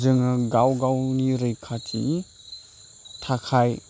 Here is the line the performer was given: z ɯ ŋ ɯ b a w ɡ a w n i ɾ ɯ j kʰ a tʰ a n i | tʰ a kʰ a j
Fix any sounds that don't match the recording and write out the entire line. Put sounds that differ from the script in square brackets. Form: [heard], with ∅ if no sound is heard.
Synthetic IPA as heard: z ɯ ŋ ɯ [ɡ] a w ɡ a w n i ɾ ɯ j kʰ a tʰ [i] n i | tʰ a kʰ a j